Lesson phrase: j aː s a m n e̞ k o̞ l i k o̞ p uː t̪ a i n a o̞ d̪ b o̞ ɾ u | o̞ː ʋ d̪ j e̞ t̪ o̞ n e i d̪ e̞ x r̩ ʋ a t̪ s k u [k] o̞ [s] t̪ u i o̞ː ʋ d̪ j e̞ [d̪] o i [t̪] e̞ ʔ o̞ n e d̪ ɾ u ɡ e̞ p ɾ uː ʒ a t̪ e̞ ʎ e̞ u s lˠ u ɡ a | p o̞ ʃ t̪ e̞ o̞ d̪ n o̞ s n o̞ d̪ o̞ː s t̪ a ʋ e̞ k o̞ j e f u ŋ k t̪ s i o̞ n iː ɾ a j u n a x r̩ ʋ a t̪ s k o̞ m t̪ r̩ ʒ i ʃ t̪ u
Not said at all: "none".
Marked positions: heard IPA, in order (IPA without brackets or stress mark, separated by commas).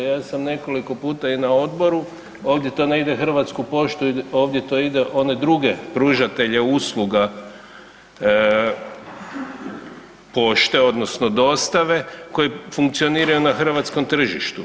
p, ʃ, t̪, d̪